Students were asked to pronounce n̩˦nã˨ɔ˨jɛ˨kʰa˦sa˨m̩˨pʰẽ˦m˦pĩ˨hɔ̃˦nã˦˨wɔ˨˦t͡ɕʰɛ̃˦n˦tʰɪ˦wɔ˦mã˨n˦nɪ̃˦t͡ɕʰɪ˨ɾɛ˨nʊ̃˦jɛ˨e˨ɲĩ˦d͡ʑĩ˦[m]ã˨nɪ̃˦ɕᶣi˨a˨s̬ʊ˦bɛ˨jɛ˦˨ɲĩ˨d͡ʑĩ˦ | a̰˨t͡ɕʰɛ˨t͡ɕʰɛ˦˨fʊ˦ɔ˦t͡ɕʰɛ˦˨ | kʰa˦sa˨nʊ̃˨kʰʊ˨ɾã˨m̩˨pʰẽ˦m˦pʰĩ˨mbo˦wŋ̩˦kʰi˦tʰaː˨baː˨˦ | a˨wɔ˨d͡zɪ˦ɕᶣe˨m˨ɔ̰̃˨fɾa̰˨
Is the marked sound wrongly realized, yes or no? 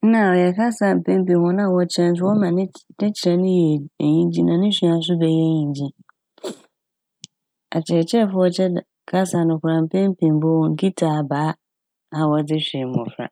yes